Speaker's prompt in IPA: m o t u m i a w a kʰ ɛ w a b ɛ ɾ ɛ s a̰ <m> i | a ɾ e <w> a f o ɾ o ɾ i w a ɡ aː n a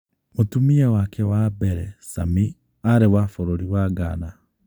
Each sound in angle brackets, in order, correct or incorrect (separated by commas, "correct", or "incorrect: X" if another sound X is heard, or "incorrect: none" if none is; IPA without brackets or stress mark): correct, correct